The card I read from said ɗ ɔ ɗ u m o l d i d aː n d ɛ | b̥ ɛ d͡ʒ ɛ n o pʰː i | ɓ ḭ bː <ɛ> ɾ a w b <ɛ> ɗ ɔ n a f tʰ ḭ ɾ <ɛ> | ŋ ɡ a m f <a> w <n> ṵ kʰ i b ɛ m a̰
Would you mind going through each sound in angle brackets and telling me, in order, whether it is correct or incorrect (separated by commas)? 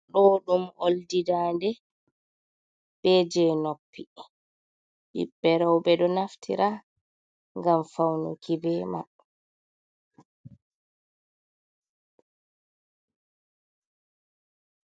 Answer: correct, correct, incorrect, correct, correct